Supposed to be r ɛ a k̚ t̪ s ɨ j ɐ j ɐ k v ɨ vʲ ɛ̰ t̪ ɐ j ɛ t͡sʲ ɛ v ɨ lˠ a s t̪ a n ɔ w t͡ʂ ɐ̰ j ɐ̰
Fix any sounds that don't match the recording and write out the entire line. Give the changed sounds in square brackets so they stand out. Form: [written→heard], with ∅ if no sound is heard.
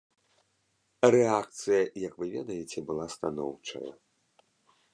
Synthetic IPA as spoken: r ɛ a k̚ t̪ s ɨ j ɐ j ɐ k v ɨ vʲ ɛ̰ [t̪→d̪] ɐ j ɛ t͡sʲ ɛ [v→b] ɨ lˠ a s t̪ a n ɔ w t͡ʂ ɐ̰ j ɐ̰